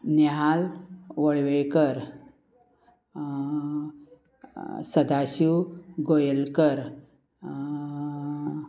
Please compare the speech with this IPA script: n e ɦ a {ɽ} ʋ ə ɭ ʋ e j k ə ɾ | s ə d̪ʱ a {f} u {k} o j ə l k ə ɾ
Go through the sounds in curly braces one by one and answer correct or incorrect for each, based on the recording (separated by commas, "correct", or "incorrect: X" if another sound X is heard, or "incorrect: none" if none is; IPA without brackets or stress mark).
incorrect: l, incorrect: ɕ, incorrect: ɡ